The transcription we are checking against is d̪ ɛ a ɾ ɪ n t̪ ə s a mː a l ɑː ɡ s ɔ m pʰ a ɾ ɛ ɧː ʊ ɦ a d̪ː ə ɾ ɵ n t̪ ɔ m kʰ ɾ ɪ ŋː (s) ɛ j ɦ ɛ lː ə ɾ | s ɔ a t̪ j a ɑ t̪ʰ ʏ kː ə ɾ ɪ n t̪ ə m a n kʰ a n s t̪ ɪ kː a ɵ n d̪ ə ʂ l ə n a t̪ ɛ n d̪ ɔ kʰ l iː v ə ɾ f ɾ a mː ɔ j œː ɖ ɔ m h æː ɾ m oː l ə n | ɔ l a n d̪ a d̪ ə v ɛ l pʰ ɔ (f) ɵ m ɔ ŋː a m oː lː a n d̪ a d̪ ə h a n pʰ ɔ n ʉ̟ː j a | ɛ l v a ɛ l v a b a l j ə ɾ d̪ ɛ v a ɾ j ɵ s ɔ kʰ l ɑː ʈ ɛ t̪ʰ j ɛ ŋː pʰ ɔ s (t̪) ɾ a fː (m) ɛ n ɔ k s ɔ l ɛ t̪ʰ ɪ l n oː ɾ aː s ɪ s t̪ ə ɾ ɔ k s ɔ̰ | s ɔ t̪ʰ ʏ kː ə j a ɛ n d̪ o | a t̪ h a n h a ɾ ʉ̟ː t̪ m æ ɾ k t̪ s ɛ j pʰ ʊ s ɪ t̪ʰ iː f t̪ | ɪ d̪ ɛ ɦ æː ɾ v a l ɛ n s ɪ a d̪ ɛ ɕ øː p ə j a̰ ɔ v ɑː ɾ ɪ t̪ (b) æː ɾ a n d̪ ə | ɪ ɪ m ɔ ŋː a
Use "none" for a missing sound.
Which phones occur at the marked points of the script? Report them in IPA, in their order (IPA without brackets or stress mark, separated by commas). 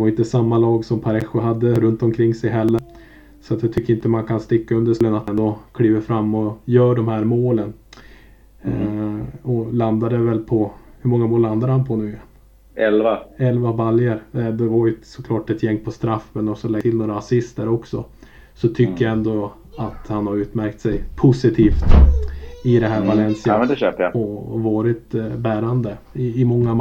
s, h, t̪, m, b